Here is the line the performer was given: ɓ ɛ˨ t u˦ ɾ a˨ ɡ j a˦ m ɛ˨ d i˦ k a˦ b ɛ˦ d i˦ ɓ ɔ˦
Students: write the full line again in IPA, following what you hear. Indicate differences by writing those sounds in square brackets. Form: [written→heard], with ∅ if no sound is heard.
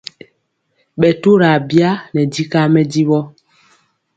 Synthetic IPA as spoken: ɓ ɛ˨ t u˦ ɾ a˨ [ɡ→b] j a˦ [m→n] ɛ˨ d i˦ k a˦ [b→m] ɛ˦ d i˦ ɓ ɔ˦